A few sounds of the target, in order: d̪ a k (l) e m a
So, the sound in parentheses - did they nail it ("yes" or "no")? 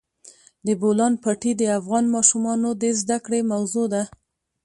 no